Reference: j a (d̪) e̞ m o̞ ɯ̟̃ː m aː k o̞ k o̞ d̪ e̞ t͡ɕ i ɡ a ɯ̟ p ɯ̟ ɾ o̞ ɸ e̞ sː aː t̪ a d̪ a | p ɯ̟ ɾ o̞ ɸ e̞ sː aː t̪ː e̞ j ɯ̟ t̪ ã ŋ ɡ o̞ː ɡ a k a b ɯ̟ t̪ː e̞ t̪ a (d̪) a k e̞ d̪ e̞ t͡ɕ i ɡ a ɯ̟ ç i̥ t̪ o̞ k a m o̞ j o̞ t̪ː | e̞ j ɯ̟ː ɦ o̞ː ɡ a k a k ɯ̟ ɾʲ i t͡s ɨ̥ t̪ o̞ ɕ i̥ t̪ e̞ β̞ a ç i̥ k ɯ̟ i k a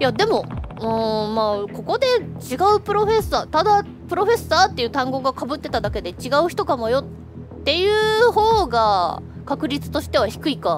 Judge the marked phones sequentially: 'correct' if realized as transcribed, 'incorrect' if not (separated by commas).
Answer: correct, correct